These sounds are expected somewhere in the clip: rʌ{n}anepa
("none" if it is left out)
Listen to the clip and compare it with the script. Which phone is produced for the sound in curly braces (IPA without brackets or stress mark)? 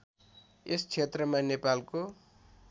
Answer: m